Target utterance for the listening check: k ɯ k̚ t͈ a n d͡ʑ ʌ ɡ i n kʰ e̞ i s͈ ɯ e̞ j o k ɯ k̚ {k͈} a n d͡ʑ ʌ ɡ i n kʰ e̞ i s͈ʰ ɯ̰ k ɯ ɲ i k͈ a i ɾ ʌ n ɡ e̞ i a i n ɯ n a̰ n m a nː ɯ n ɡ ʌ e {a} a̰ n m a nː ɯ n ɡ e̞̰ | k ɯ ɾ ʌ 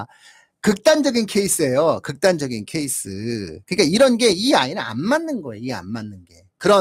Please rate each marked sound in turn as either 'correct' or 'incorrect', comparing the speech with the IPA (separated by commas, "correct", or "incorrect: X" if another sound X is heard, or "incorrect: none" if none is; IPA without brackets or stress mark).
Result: incorrect: t͈, incorrect: i